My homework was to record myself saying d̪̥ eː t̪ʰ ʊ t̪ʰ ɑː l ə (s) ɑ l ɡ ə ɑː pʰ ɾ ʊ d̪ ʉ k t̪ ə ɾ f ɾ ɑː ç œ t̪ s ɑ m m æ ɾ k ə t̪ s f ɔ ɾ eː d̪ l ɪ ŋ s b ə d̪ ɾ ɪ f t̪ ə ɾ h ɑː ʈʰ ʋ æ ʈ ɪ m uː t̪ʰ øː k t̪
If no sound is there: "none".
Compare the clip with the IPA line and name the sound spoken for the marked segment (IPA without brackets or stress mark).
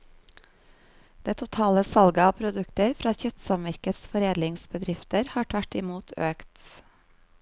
s